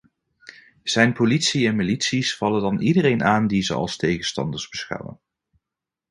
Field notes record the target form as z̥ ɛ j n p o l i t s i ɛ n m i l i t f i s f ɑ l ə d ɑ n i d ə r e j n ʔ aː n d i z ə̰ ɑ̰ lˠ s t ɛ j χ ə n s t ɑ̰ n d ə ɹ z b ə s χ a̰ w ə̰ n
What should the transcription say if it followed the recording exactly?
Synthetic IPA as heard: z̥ ɛ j n p o l i t s i ɛ n m i l i t s i s f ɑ l ə d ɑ n i d ə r e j n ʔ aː n d i z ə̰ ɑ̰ lˠ s t e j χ ə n s t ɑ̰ n d ə ɹ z b ə s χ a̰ w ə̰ n